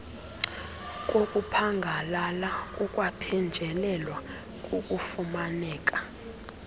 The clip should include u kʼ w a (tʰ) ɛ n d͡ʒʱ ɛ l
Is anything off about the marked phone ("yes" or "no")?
yes